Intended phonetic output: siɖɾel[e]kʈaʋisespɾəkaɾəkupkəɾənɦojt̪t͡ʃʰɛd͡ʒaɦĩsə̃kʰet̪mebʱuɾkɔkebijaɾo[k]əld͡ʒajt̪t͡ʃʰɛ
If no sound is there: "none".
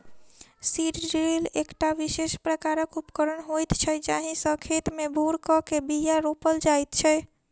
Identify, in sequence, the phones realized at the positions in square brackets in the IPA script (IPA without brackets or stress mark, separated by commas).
e, p